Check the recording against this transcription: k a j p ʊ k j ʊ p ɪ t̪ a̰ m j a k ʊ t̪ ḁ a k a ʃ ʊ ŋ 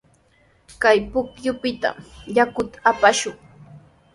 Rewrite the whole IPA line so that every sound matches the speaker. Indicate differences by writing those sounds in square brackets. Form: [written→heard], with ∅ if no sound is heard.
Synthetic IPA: k a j p ʊ k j ʊ p ɪ t̪ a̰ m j a k ʊ t̪ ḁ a [k→p] a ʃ ʊ ŋ